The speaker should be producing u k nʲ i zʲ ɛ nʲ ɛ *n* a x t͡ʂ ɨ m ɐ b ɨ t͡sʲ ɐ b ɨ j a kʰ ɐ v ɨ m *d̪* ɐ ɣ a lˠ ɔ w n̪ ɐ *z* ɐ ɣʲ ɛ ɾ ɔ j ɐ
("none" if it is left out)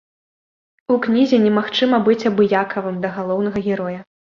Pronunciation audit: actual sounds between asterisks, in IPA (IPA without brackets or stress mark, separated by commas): m, d̪, ɣ